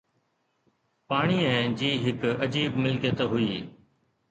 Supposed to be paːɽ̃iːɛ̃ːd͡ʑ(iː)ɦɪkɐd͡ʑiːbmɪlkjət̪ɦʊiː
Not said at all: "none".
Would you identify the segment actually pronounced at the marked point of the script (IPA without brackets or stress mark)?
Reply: iː